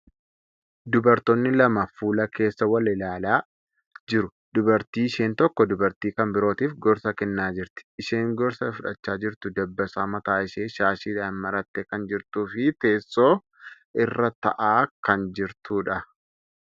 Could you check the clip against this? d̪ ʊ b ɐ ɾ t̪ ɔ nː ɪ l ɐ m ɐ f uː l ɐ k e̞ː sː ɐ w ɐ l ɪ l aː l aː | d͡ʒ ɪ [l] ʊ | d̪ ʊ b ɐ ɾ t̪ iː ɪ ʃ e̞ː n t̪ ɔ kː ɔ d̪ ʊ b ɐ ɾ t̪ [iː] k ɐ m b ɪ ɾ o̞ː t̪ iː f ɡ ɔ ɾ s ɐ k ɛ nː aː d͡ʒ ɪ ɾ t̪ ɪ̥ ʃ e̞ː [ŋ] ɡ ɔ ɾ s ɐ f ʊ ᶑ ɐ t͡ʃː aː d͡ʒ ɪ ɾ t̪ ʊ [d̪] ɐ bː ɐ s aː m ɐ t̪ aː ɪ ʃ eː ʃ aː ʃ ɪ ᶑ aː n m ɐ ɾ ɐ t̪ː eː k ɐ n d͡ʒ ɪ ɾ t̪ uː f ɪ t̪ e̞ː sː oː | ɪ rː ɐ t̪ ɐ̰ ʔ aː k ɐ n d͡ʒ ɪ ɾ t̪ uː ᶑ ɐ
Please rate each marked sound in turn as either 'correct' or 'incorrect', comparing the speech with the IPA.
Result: incorrect, correct, correct, correct

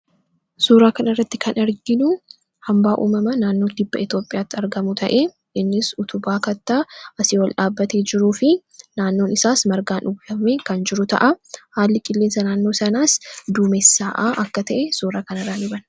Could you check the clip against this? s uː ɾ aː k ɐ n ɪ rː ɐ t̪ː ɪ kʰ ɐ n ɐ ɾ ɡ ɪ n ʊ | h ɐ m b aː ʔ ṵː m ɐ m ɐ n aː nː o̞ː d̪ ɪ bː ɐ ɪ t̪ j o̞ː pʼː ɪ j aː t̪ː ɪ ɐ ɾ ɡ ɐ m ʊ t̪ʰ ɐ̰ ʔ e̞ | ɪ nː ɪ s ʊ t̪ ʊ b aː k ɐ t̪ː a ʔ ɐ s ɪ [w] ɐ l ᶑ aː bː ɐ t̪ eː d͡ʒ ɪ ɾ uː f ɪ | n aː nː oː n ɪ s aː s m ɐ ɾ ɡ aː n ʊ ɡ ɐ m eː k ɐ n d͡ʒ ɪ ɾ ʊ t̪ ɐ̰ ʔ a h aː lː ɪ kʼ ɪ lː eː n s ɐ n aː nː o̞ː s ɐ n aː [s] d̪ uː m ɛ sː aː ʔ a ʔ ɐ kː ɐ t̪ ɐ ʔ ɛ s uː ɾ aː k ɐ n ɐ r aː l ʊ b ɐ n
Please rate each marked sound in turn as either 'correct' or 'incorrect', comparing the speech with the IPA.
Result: correct, correct

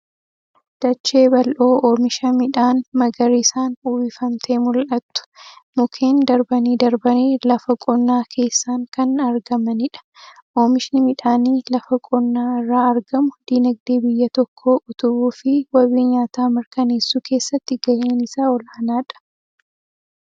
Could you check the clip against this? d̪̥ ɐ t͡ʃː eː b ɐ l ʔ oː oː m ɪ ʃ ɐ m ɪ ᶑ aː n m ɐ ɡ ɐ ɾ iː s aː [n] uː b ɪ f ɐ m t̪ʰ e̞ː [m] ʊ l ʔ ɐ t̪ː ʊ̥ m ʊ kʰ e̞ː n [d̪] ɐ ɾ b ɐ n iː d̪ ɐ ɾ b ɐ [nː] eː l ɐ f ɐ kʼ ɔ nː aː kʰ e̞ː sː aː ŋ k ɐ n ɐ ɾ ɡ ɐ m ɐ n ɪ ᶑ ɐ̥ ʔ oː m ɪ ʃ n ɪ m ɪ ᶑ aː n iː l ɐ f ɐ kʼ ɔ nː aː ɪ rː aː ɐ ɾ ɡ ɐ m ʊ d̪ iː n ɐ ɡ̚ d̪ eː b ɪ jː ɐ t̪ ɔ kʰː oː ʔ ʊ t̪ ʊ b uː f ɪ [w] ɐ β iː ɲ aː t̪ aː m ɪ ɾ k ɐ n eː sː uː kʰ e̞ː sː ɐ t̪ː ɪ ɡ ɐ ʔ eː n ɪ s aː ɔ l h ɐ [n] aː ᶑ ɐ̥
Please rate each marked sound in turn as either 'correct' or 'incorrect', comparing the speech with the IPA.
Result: correct, correct, correct, incorrect, correct, correct

